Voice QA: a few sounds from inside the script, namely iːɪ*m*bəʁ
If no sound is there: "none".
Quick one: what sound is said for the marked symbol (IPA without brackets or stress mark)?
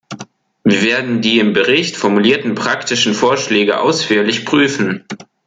m